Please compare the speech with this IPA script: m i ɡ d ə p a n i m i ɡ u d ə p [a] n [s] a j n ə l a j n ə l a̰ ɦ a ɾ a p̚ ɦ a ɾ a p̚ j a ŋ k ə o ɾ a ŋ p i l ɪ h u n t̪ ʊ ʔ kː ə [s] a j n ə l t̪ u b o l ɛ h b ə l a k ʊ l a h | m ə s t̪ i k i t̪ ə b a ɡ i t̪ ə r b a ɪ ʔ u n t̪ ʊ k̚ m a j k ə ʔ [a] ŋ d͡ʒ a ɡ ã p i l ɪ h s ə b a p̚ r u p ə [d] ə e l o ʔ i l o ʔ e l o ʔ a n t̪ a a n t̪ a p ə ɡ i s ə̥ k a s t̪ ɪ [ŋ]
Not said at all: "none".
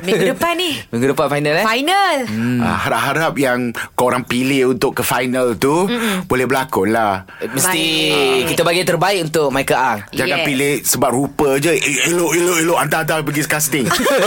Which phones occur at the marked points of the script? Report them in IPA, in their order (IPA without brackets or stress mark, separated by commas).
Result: a, f, f, a, d͡ʒ, ŋ